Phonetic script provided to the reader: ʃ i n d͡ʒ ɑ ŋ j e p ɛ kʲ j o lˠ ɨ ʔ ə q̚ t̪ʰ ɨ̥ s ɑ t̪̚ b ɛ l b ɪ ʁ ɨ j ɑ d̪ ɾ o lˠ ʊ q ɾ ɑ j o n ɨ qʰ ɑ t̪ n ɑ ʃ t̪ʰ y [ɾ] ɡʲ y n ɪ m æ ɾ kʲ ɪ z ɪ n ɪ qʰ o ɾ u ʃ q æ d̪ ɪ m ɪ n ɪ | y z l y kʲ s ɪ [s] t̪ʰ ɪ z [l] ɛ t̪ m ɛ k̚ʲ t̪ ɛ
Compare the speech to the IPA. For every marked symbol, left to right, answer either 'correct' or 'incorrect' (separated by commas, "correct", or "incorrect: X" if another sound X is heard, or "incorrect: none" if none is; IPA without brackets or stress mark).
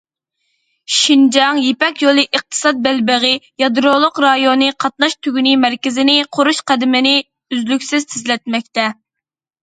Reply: incorrect: none, incorrect: z, correct